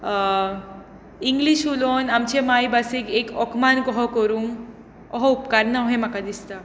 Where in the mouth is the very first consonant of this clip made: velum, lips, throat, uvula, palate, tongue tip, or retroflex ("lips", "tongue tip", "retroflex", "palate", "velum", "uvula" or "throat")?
velum